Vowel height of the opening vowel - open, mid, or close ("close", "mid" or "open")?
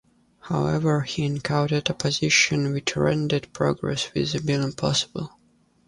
open